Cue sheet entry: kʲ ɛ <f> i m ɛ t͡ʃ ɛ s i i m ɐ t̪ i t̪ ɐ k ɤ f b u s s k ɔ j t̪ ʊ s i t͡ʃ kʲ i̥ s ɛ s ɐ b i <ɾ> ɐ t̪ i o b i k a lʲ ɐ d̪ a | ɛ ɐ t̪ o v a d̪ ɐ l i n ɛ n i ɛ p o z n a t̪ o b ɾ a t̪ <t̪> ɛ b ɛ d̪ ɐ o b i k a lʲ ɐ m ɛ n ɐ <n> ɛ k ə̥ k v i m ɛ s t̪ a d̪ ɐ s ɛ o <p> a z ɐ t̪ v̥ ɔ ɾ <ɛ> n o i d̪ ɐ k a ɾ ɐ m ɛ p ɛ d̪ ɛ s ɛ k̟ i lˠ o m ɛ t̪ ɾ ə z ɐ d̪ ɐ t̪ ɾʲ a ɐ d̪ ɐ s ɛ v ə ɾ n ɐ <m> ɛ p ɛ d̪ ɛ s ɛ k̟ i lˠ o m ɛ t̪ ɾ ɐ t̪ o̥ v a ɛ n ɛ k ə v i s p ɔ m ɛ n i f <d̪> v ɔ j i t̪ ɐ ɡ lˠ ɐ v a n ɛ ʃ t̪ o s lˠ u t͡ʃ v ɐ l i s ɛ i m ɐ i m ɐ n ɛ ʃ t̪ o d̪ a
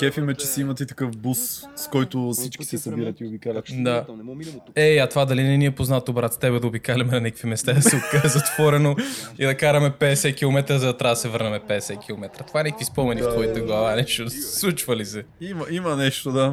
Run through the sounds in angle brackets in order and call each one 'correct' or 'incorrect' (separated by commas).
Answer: correct, correct, correct, correct, incorrect, correct, correct, incorrect